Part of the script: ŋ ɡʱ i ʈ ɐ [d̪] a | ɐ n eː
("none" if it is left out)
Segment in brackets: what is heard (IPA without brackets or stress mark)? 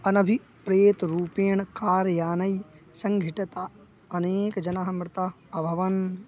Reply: t̪